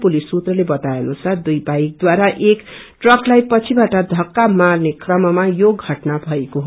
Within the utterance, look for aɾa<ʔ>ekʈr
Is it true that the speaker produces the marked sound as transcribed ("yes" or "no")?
yes